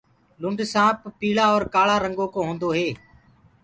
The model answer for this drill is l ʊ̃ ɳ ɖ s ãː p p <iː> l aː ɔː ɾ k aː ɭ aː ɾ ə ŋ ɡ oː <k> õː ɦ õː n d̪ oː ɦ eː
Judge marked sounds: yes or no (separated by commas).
yes, yes